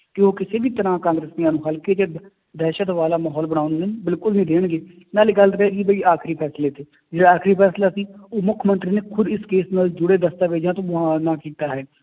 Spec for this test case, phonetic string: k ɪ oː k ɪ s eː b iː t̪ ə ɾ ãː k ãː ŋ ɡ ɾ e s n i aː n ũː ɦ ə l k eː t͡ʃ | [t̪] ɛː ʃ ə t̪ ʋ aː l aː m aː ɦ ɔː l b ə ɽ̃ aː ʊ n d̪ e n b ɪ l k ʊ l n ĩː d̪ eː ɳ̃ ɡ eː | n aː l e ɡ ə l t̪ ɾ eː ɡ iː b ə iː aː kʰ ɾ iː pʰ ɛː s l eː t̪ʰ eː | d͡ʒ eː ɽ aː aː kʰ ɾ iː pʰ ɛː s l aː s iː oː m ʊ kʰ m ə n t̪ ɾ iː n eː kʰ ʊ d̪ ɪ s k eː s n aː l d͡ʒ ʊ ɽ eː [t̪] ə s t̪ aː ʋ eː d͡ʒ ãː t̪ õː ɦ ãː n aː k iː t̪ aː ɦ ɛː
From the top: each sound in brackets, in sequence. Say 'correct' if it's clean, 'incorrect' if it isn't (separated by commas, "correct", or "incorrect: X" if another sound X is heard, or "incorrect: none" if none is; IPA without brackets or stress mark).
incorrect: d̪, incorrect: d̪